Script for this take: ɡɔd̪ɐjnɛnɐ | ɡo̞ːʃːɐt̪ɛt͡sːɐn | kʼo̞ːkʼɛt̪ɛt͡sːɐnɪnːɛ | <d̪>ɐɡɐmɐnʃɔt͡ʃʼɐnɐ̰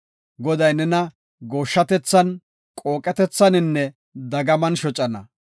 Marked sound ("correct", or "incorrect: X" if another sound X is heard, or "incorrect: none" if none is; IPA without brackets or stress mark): correct